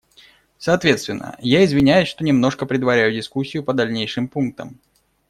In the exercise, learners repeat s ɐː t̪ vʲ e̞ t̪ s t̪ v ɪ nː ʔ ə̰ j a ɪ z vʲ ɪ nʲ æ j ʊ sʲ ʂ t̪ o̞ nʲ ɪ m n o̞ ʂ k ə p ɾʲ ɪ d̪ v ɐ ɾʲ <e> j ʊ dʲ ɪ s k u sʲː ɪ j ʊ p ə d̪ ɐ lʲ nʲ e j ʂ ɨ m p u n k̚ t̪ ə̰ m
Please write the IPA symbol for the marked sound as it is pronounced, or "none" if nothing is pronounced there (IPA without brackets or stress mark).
æ